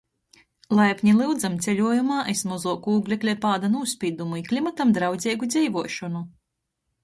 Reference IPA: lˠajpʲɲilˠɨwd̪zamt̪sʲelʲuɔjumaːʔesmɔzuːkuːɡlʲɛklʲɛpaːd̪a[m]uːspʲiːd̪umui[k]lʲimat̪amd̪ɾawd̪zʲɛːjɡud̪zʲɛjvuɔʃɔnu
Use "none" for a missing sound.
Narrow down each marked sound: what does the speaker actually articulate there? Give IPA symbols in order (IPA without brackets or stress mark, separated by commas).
n, k